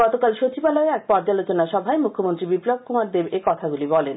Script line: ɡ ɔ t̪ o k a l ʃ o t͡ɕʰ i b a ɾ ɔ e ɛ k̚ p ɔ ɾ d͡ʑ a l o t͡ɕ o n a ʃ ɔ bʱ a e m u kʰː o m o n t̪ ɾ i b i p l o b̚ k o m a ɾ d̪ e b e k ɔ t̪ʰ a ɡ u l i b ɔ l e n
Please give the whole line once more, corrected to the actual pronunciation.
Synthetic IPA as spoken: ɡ ɔ t̪ o k a l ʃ o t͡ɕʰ i b a l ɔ e ɛ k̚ p ɔ ɾ d͡ʑ a l o t͡ɕ o n a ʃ ɔ bʱ a e m u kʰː o m o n t̪ ɾ i b i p l o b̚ k u m a ɾ d̪ e b e k ɔ t̪ʰ a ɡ u l i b ɔ l e n